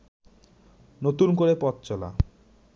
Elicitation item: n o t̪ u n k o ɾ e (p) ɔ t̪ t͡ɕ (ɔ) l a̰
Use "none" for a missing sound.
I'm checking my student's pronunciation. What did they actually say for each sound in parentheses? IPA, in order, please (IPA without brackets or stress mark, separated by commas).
p, ɔ